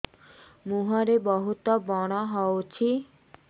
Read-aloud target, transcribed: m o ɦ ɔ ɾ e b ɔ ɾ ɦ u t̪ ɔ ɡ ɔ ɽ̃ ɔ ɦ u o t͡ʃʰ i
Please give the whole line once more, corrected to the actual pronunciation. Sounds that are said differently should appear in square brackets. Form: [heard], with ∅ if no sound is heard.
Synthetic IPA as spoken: m [u] ɦ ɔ ɾ e b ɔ [∅] ɦ u t̪ ɔ [b] ɔ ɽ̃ ɔ ɦ [ɔ] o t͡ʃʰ i